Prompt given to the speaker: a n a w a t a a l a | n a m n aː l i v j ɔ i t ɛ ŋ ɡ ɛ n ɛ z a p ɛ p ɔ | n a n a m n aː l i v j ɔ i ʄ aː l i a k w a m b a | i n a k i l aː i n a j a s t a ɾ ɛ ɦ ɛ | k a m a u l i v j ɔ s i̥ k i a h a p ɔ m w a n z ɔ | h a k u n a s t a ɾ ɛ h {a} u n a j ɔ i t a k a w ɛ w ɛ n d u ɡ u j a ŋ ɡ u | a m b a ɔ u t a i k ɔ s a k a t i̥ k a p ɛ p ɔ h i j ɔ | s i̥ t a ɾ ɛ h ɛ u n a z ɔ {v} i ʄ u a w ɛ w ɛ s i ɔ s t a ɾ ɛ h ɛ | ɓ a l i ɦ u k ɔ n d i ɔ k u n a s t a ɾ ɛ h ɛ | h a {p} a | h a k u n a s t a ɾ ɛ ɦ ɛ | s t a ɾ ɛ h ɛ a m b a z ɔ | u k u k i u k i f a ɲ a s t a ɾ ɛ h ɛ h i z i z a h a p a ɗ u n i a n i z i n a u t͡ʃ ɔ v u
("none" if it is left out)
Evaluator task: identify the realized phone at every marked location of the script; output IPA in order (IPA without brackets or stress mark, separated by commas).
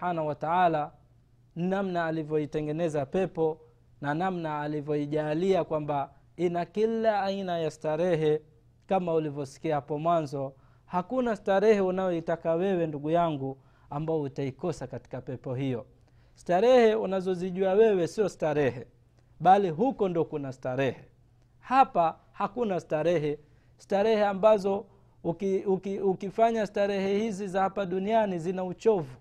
ɛ, z, p